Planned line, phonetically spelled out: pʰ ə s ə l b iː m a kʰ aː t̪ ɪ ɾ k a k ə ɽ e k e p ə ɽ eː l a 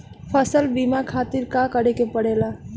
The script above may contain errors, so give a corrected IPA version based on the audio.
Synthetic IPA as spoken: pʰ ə s ə l b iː m a kʰ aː t̪ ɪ ɾ k a k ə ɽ e k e p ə ɽ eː l a